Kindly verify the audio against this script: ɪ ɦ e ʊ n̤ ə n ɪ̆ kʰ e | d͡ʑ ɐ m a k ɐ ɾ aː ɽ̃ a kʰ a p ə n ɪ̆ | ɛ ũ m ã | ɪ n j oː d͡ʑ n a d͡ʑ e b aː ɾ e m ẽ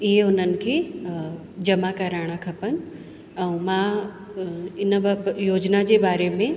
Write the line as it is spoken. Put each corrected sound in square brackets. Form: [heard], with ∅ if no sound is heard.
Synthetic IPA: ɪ ɦ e ʊ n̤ ə n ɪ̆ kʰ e | d͡ʑ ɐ m a k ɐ ɾ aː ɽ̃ a kʰ [ɐ] p ə n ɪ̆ | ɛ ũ m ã | ɪ n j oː d͡ʑ n a d͡ʑ e b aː ɾ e m ẽ

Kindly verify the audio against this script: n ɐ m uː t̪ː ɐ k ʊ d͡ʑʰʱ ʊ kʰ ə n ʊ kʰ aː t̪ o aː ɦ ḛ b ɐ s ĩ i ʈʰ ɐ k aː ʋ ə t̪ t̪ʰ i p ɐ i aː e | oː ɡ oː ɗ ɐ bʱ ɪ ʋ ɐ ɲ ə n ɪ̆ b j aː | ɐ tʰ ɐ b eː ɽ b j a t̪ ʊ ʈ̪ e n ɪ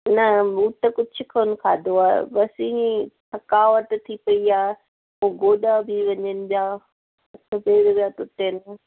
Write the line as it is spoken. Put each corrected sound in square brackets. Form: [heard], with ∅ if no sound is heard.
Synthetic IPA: n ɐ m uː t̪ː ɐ k ʊ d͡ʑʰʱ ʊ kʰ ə n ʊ kʰ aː [d̪] o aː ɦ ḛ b ɐ s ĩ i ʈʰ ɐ k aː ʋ ə t̪ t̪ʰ i p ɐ i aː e | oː ɡ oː ɗ [a] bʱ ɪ ʋ ɐ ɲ ə n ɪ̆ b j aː | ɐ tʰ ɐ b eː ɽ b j a t̪ ʊ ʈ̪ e n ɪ

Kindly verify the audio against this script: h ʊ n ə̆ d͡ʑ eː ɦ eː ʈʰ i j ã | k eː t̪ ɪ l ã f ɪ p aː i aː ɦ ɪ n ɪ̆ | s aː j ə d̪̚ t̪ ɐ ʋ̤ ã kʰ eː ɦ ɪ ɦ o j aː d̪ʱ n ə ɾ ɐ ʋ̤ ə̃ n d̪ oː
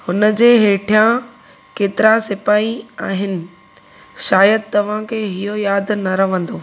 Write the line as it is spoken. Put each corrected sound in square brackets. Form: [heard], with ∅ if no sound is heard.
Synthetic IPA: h ʊ n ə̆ d͡ʑ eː ɦ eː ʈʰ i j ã | k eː t̪ ɪ [ɾ] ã [s] ɪ p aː i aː ɦ ɪ n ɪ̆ | [ʃ] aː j ə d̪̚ t̪ ɐ ʋ̤ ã kʰ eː ɦ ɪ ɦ o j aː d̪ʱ n [ɐ] ɾ ɐ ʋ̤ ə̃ n d̪ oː

